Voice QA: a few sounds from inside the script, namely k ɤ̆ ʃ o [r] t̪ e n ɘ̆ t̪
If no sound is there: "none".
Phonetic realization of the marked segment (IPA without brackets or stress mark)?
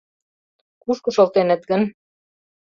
l